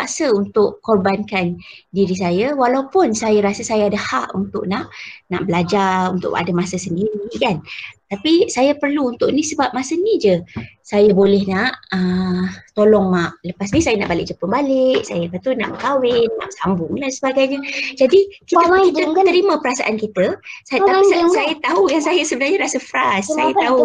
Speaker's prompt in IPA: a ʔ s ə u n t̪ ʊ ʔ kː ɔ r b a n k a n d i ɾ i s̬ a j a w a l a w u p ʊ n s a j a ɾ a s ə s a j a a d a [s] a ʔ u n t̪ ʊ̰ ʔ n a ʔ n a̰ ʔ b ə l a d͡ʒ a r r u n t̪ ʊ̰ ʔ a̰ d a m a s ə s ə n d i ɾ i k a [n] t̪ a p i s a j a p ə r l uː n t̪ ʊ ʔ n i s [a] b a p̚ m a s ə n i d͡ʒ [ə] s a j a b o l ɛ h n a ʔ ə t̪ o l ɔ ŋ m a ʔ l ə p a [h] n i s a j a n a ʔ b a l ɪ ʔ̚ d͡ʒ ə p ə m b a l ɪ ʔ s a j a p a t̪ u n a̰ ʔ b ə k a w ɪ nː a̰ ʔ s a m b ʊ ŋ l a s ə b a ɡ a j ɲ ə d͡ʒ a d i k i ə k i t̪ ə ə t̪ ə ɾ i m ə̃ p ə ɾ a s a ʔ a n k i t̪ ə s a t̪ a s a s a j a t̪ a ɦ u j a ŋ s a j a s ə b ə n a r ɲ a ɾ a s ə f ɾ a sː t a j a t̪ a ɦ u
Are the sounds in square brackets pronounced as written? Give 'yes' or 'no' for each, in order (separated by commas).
no, yes, no, yes, no